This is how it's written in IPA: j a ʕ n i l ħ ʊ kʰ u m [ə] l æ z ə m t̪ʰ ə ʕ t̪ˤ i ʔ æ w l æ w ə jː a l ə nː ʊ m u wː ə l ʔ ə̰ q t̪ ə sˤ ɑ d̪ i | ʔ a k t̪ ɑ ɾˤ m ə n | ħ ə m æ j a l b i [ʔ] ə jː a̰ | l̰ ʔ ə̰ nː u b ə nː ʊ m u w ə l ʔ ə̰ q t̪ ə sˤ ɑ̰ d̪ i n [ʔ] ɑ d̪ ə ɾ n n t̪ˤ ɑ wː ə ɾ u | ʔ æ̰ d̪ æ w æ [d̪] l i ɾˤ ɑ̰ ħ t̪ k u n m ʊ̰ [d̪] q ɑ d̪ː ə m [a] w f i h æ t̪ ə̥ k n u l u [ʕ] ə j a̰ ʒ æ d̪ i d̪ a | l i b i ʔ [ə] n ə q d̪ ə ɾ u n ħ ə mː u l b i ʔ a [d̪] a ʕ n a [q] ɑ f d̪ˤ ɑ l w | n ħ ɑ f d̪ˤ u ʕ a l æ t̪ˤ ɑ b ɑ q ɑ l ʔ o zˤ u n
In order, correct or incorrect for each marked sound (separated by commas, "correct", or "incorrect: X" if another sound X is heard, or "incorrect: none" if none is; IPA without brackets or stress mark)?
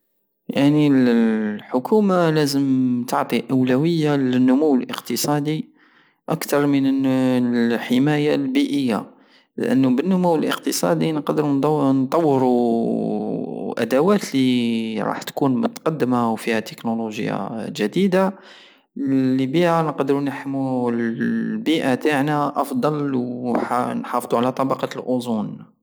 incorrect: a, correct, incorrect: q, incorrect: t̪, incorrect: t̪, correct, incorrect: ʒ, incorrect: a, incorrect: t̪, incorrect: ʔ